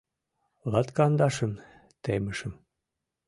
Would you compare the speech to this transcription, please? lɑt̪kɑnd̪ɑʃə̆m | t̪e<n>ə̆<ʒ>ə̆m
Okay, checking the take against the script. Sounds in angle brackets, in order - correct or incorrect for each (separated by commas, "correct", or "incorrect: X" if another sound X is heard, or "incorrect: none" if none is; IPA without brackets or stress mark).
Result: incorrect: m, incorrect: ʃ